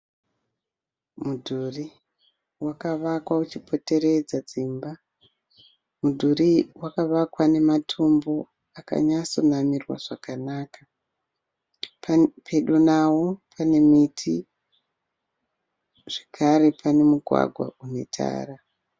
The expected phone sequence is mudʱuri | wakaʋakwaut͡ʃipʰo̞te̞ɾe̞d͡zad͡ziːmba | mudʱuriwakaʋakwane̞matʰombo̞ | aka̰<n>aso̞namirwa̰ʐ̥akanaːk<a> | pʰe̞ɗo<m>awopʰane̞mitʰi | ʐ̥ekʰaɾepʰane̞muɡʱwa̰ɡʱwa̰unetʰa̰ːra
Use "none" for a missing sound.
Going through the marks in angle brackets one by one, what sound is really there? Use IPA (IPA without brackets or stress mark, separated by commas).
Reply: ɲ, a, n